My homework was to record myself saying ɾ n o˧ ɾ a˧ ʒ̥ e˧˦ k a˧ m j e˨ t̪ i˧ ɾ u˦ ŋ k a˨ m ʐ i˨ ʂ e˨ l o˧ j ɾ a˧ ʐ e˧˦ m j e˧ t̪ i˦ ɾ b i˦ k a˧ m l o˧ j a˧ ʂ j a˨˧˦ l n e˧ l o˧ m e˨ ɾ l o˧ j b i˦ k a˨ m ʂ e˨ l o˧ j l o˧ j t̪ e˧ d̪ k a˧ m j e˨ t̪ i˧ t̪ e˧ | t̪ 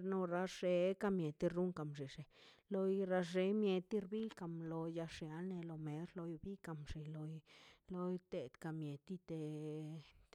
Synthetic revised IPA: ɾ n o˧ ɾ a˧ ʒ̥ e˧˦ k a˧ m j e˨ t̪ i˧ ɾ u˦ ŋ k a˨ m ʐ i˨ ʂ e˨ l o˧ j ɾ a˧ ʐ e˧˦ m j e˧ t̪ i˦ ɾ b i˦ k a˧ m l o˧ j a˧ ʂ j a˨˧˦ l n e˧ l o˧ m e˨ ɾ l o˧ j b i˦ k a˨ m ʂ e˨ l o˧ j l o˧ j t̪ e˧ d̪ k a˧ m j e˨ t̪ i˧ t̪ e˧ | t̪